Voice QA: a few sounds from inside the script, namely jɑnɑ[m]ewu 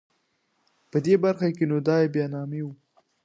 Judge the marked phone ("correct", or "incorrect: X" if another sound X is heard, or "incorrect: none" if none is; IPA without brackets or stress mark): correct